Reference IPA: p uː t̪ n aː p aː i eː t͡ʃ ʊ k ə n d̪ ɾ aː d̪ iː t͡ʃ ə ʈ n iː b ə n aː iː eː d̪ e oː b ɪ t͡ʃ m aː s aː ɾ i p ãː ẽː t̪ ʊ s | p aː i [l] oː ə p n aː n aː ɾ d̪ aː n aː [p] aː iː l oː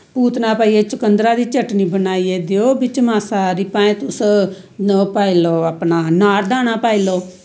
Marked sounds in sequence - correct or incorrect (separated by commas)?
correct, correct